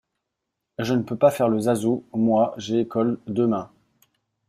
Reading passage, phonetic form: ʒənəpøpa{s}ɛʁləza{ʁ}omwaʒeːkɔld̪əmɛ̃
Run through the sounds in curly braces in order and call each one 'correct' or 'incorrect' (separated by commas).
incorrect, incorrect